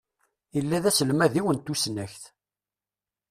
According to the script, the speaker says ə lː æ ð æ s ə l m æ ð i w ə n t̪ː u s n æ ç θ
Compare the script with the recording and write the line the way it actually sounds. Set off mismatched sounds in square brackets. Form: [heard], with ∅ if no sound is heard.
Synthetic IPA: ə lː æ ð æ s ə l m æ ð i w ə n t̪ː u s n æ ç θ